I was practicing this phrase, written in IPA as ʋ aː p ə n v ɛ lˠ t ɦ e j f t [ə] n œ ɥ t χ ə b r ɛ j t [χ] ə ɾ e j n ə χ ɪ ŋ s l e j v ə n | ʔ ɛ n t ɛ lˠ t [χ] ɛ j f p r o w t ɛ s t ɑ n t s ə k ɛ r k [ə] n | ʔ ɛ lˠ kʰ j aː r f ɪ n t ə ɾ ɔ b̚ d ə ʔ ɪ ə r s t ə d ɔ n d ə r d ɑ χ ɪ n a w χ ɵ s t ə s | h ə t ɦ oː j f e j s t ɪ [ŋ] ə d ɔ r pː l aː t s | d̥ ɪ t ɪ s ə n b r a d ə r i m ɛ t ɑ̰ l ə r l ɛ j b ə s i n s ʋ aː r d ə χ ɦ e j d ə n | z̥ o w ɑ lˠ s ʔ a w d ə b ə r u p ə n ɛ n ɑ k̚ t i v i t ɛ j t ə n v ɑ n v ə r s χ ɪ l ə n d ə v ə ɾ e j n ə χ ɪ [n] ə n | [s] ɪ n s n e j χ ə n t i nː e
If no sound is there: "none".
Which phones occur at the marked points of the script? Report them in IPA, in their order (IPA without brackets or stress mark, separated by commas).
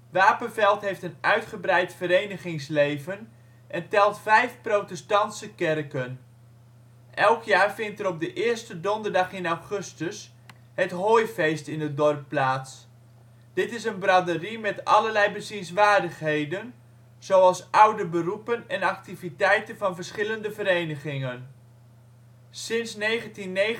ə, f, f, ə, n, ŋ, s